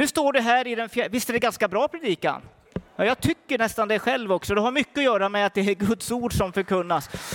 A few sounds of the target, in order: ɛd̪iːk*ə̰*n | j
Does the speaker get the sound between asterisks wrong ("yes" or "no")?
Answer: yes